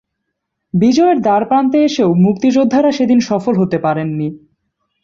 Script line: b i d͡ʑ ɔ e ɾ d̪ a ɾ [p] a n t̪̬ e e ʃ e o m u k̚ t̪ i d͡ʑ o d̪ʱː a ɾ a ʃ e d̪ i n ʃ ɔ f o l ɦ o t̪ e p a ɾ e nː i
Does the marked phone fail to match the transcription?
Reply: no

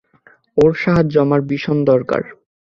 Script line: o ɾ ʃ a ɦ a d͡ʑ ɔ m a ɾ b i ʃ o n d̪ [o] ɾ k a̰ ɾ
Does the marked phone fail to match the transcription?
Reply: yes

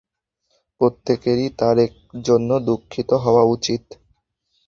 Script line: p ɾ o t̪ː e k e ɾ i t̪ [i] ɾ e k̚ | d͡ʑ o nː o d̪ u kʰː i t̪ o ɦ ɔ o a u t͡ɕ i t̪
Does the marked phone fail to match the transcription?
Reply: yes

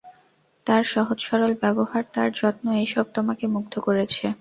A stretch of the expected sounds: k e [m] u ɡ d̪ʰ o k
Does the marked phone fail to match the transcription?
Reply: no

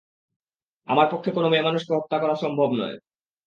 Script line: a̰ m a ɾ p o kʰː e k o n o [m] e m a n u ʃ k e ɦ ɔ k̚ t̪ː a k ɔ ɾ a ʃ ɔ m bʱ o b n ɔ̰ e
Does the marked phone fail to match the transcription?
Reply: no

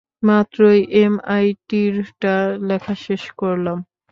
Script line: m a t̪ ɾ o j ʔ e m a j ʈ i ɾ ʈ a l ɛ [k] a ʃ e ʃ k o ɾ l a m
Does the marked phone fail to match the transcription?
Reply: yes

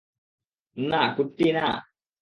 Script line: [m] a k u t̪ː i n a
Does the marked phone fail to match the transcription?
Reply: yes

